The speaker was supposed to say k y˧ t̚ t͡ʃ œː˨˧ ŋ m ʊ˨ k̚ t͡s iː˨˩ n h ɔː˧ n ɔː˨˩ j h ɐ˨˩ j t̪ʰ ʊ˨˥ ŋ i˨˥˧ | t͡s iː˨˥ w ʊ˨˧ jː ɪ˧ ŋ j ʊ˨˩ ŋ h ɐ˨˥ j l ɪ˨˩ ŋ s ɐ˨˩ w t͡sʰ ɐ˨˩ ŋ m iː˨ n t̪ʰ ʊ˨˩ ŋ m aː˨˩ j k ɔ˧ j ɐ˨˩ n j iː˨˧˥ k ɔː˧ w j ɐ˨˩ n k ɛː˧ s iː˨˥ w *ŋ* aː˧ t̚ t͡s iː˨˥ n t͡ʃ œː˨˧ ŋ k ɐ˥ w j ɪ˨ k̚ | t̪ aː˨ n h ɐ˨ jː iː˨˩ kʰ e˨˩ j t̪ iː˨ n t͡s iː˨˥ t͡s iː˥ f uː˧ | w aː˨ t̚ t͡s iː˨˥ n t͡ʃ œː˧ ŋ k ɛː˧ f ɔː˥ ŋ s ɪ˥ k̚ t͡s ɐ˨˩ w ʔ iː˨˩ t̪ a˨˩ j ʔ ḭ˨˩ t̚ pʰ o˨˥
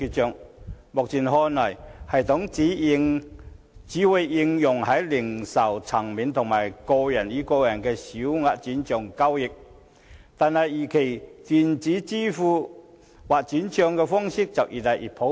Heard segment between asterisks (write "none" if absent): ŋ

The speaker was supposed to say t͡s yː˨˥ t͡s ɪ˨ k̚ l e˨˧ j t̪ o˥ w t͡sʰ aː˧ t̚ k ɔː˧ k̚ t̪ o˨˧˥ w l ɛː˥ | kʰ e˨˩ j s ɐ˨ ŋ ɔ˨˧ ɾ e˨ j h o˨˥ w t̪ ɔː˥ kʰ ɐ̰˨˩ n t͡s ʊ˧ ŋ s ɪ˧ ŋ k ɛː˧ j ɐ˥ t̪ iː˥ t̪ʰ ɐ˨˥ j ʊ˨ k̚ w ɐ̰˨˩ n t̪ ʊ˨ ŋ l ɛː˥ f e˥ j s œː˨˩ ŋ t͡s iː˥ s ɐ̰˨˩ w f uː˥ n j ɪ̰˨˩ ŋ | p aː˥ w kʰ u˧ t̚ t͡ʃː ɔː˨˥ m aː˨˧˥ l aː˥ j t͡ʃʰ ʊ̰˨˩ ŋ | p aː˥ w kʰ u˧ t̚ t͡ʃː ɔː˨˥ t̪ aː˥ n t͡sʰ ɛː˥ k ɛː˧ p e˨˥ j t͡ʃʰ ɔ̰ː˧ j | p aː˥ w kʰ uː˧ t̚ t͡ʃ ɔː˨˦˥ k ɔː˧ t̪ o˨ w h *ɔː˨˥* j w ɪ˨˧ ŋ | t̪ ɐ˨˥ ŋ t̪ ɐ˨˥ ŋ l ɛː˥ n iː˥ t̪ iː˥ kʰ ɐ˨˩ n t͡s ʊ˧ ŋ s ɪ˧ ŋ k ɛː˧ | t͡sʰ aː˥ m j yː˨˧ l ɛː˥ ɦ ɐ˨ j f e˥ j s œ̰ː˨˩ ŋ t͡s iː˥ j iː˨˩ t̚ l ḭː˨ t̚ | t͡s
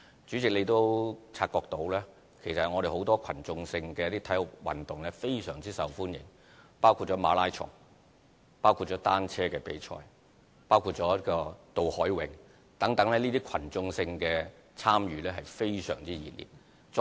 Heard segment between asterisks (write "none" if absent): ɔː˨˥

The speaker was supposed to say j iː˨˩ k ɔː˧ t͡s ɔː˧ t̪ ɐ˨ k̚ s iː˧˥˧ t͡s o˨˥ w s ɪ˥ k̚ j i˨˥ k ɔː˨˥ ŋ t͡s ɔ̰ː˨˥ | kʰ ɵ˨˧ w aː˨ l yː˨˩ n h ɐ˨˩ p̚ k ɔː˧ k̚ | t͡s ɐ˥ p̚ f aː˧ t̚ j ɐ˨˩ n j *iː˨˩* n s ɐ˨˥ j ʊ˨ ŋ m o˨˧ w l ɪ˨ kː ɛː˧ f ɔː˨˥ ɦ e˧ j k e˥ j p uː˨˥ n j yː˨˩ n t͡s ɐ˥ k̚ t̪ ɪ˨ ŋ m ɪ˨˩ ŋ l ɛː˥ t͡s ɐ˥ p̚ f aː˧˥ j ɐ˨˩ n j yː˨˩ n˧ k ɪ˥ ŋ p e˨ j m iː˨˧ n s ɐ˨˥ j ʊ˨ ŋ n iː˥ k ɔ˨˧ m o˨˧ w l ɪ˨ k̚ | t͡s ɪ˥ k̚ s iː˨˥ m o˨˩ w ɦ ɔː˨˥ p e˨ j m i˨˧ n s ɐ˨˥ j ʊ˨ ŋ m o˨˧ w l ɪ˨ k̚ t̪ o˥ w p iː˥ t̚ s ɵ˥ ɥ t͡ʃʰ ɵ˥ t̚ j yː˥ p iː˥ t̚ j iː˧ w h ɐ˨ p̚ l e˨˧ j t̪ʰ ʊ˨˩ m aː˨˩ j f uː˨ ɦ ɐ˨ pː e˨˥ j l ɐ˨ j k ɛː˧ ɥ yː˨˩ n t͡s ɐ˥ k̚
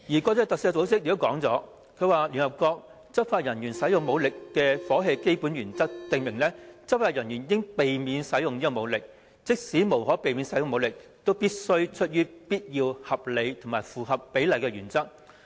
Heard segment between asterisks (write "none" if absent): yː˨˩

